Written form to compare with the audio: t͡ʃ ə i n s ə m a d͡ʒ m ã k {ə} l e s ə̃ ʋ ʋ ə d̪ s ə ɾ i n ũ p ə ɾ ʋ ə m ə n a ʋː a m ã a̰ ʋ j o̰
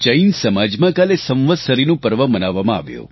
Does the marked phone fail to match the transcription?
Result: yes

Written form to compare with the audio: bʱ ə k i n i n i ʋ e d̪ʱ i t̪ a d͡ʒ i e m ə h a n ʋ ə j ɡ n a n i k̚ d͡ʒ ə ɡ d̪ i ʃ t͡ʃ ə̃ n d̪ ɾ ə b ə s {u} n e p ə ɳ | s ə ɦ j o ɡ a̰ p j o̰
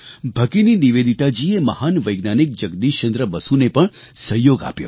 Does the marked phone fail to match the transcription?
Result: no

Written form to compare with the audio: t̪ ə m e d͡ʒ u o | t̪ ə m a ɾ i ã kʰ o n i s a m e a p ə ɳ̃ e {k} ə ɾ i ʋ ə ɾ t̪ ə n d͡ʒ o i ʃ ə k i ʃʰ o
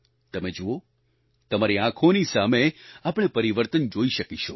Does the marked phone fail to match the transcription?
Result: yes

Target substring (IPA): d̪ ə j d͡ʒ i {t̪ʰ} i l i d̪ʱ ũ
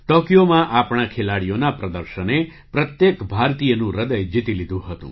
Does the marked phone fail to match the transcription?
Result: yes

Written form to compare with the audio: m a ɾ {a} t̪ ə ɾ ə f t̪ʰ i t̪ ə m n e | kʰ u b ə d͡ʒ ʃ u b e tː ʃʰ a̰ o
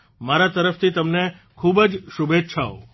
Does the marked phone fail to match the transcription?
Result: no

